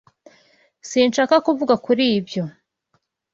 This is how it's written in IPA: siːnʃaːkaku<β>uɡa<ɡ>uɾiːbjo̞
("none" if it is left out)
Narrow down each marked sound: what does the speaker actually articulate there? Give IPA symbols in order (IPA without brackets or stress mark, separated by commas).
v, k